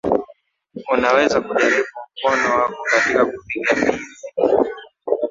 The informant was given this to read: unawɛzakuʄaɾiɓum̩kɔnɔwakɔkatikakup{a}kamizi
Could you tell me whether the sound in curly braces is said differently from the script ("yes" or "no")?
yes